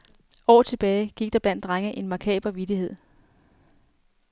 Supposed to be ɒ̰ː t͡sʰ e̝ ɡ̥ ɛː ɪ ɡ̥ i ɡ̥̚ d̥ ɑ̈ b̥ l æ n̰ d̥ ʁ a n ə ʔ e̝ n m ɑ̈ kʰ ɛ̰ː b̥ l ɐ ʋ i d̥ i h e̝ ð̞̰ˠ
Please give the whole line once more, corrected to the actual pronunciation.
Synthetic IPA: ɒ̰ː t͡sʰ e̝ b̥ ɛː ɪ ɡ̥ i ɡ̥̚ d̥ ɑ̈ b̥ l æ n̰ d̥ ʁ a ŋ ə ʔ e̝ n m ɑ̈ kʰ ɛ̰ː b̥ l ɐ ʋ i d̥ i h e̝ ð̞̰ˠ